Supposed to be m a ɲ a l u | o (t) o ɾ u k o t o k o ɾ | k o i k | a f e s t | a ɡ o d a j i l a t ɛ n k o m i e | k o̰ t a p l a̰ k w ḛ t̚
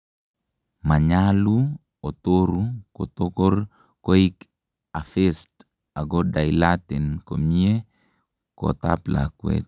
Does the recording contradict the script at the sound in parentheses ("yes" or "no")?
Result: no